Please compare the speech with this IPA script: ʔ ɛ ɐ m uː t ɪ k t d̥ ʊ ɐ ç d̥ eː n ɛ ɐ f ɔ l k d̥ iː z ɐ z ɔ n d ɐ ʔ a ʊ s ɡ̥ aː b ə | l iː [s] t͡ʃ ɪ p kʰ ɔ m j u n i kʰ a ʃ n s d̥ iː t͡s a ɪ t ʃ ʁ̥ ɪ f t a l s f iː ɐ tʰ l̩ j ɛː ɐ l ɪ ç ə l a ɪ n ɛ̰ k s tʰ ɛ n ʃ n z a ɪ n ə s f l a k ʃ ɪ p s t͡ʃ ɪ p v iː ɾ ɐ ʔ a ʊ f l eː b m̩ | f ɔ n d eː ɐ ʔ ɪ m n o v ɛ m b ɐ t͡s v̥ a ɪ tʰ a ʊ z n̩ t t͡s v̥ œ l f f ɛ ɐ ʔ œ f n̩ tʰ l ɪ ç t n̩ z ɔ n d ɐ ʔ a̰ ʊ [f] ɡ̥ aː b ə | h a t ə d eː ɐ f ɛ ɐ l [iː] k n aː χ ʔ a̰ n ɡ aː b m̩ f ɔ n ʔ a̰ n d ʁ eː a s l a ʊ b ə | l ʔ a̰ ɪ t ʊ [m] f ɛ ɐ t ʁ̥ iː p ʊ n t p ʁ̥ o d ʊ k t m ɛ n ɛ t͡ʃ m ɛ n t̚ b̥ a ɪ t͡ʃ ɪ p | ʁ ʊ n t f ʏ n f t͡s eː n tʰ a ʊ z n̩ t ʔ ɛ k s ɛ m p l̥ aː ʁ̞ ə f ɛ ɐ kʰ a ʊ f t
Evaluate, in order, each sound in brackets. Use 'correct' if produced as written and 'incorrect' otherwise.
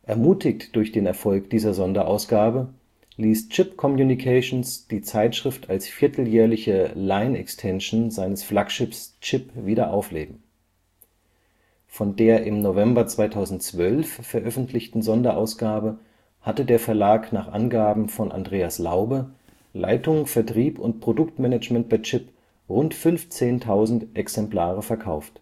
correct, incorrect: s, incorrect: aː, incorrect: ŋ

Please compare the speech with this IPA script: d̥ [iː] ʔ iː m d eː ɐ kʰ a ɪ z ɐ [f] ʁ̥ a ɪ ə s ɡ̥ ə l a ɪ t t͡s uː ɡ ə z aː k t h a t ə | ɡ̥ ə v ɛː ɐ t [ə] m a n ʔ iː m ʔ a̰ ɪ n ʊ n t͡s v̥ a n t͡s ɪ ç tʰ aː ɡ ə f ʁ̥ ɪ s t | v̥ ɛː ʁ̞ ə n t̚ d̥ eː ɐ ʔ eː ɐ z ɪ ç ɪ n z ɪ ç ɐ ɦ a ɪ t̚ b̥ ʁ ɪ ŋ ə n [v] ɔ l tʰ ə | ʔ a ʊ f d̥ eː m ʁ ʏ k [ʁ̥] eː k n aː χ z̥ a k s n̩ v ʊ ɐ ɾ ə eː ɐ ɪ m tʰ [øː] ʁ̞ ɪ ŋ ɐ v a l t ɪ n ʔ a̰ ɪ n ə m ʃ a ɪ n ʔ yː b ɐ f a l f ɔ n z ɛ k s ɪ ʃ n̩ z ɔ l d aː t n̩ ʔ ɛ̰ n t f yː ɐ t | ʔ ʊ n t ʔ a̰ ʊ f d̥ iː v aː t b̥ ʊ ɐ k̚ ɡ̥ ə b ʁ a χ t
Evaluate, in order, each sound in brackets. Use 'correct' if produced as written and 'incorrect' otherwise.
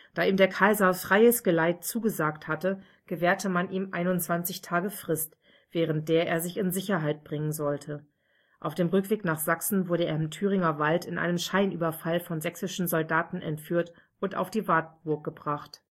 incorrect: aː, correct, correct, incorrect: z, incorrect: v̥, incorrect: yː

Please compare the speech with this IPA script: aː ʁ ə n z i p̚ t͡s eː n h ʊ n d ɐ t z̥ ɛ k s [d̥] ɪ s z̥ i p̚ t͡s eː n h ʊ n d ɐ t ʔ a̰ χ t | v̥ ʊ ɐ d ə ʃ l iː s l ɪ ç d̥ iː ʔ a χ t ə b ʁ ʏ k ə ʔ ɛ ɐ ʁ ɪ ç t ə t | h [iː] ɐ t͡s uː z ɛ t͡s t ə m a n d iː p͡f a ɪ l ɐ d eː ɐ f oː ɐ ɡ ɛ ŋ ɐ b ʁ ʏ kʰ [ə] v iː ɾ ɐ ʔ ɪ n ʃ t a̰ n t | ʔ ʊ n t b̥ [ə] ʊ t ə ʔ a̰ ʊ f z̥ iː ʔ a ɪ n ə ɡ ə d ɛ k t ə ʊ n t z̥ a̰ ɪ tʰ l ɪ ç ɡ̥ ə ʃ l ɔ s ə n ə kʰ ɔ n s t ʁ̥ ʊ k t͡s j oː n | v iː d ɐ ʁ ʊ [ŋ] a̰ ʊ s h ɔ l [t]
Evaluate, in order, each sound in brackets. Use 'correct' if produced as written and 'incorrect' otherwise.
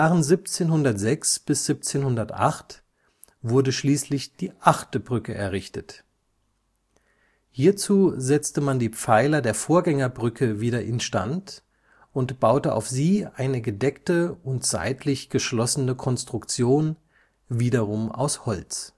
incorrect: b̥, correct, correct, incorrect: a, incorrect: m, incorrect: t͡s

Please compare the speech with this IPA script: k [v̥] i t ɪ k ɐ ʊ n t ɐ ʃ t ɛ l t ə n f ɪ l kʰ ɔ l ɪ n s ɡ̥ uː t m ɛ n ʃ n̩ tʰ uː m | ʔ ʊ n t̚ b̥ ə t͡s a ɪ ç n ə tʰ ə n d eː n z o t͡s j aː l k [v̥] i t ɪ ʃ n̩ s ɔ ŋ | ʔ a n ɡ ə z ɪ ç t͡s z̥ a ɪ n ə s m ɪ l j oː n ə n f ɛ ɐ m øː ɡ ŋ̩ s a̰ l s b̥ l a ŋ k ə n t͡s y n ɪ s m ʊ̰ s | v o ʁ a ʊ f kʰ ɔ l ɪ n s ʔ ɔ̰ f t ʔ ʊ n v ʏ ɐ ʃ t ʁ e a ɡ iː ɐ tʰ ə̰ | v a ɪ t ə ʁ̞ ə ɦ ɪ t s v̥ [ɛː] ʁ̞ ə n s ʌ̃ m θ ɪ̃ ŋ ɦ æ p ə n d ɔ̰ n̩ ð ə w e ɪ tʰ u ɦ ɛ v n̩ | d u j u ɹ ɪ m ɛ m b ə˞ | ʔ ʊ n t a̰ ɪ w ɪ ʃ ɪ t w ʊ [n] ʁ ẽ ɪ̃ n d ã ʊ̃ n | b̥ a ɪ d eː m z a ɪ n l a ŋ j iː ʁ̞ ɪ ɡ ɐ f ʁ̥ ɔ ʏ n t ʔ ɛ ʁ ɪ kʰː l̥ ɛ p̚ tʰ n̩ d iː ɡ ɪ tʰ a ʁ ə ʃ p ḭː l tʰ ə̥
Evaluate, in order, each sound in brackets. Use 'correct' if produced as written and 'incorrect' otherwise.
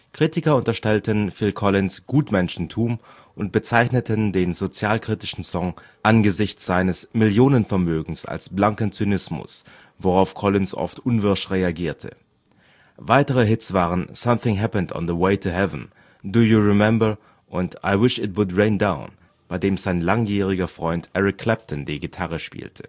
incorrect: ʁ̥, incorrect: ʁ̥, incorrect: aː, incorrect: d

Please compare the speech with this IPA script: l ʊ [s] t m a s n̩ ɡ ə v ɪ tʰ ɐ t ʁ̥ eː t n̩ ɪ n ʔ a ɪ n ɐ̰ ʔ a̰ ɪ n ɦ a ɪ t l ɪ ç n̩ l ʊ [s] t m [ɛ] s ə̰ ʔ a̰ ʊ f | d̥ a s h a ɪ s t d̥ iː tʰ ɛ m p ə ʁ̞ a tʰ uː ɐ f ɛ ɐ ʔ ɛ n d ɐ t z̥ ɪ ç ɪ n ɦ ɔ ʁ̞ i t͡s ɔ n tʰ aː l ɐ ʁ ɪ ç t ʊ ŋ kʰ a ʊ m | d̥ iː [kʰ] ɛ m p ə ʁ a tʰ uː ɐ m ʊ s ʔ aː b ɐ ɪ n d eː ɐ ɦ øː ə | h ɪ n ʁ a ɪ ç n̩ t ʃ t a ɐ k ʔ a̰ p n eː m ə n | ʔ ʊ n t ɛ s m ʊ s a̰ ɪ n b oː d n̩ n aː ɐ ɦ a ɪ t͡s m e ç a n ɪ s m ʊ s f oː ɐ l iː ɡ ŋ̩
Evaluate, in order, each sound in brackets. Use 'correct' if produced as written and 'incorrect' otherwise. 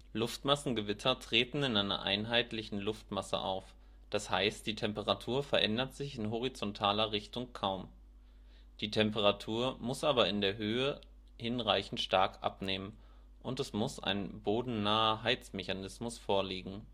incorrect: f, incorrect: f, incorrect: a, incorrect: tʰ

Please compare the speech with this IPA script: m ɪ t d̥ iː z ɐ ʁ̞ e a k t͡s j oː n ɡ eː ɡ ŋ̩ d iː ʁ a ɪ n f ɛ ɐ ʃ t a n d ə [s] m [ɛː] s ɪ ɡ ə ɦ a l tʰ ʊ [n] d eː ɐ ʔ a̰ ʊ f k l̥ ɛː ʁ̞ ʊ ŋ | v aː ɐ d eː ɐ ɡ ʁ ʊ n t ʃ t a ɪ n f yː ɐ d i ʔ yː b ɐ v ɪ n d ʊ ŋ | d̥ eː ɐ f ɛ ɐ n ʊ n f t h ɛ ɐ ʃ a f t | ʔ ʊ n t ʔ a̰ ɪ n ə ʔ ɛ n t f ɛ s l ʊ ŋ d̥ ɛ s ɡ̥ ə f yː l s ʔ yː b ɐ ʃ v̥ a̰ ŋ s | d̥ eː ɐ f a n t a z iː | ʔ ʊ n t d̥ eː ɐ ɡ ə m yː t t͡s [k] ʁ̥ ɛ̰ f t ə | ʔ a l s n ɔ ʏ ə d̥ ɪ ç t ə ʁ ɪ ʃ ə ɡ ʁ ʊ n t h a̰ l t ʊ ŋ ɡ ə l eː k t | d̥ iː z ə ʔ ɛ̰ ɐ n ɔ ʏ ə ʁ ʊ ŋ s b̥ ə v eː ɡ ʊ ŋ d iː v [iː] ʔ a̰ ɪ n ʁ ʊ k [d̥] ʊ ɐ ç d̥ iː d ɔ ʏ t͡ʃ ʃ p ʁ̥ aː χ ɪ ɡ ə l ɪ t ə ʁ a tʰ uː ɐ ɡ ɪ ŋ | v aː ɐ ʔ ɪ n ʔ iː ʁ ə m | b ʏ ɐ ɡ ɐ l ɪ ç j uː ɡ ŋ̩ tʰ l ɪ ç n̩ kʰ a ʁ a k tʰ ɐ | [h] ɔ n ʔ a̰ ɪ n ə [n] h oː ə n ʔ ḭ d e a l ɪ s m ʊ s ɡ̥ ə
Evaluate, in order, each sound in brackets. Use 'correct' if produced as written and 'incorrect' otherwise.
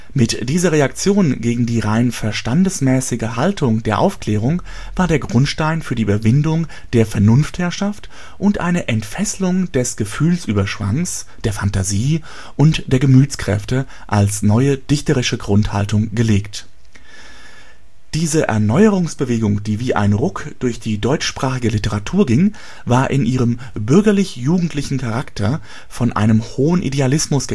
correct, correct, incorrect: ŋ, correct, correct, correct, incorrect: f, incorrect: m

